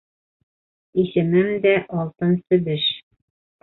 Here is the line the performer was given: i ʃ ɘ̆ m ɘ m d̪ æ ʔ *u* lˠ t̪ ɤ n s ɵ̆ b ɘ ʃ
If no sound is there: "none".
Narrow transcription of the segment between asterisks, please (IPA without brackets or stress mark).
ɒ